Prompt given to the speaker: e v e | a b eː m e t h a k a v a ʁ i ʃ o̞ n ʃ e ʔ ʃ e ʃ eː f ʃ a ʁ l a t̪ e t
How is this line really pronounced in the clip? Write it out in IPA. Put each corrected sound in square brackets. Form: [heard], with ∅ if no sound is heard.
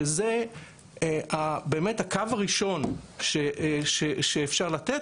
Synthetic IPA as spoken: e [z] e | a b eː m e t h a k a v a ʁ i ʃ o̞ n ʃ e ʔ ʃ e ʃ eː f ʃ a ʁ l a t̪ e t